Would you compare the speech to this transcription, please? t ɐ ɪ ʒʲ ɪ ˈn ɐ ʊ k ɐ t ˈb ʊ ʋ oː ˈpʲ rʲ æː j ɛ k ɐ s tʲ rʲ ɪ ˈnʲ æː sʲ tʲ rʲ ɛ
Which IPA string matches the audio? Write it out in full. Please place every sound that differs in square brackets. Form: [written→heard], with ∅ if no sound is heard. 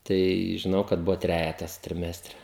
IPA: t ɐ ɪ ʒʲ ɪ ˈn ɐ ʊ k ɐ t ˈb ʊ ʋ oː [ˈpʲ→ˈtʲ] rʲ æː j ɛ [k→t] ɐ s tʲ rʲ ɪ [ˈnʲ→ˈmʲ] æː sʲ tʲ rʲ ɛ